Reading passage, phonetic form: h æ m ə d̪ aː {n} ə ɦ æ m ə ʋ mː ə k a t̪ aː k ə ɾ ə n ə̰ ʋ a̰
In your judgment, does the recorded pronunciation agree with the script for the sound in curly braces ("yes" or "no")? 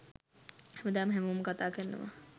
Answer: no